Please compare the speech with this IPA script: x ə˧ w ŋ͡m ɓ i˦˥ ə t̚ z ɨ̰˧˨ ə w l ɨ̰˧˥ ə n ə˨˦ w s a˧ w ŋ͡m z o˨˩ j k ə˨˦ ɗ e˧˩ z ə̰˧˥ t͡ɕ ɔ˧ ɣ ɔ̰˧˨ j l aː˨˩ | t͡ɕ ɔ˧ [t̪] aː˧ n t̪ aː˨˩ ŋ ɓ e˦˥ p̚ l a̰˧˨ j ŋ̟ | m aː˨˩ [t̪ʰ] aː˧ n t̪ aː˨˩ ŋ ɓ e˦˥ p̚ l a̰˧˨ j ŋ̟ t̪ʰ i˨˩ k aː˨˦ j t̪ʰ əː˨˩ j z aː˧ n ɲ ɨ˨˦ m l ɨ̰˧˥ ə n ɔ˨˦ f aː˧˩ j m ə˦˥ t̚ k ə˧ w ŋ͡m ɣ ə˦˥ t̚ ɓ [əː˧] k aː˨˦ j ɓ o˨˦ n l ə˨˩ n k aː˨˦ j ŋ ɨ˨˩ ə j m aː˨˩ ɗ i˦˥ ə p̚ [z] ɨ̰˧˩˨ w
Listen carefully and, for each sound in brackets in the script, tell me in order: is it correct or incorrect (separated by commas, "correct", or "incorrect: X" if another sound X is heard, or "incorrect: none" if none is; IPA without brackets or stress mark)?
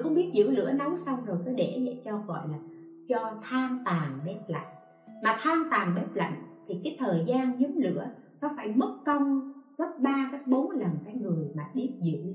incorrect: t̪ʰ, correct, incorrect: aː˧, correct